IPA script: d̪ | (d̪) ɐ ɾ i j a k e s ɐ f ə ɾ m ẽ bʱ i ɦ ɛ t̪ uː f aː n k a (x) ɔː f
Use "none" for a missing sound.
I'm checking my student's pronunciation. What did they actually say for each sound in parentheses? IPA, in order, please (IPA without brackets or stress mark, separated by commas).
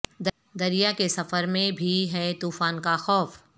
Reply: d̪, x